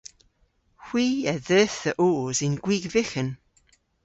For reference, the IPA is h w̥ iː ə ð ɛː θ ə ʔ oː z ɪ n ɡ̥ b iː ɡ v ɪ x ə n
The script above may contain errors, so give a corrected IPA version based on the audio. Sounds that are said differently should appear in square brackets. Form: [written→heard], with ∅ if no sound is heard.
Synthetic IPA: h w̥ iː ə ð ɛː θ ə ʔ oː z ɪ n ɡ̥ [b→w] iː ɡ v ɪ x ə n